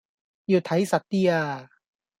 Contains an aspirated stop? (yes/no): yes